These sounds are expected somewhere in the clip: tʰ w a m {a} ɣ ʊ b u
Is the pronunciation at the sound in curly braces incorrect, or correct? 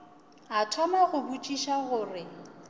correct